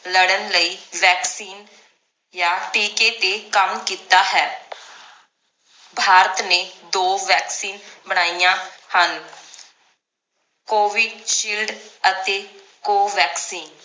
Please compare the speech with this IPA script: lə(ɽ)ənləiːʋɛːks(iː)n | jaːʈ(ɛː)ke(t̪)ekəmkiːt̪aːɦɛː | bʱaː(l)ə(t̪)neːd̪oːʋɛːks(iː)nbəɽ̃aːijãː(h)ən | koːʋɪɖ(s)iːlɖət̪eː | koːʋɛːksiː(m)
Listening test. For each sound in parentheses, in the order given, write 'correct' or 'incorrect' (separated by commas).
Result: correct, correct, incorrect, correct, incorrect, correct, correct, correct, incorrect, incorrect